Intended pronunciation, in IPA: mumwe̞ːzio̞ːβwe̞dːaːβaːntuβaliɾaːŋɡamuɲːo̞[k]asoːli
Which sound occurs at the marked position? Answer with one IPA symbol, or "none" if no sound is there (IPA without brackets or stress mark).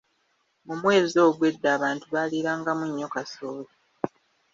k